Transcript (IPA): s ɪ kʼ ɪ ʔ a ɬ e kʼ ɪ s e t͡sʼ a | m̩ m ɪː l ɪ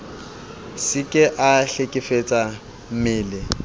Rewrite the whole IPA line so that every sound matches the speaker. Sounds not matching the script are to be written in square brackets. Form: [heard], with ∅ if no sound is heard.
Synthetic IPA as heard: s ɪ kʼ ɪ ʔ a ɬ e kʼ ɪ [f] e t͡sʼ a | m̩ m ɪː l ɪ